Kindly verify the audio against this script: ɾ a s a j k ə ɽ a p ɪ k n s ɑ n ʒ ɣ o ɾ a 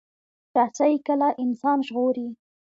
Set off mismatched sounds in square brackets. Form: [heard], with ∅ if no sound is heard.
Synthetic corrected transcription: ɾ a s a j k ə [l] a [ʔ] ɪ [∅] n s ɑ n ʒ ɣ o ɾ [i]